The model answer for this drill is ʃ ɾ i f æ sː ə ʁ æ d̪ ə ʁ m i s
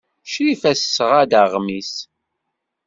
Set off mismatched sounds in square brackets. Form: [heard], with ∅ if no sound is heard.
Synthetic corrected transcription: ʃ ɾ i f æ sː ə ʁ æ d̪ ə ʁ m i s